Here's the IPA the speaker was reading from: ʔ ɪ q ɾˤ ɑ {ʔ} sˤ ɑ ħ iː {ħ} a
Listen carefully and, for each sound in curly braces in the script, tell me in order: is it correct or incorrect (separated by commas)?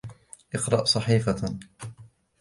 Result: correct, incorrect